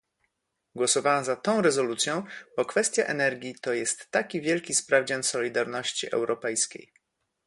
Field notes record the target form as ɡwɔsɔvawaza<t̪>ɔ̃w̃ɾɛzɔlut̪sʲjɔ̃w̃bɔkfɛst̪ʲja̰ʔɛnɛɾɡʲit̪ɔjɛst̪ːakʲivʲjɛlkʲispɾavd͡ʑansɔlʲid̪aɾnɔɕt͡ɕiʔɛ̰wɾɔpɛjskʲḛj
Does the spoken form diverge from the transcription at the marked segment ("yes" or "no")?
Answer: no